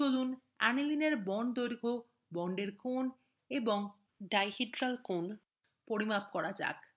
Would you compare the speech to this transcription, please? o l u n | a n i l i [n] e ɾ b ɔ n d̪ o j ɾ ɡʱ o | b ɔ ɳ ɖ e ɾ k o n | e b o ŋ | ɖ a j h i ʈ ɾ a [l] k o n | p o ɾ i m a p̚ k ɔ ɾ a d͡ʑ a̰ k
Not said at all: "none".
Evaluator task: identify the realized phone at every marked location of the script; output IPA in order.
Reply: n, l

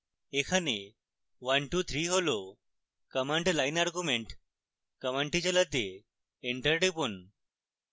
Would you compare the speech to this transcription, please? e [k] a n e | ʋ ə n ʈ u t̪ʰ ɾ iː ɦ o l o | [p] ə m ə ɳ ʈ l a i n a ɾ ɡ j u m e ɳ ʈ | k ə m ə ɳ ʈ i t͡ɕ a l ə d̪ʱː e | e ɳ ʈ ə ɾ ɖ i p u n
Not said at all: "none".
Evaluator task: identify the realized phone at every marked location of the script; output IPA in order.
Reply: kʰ, k

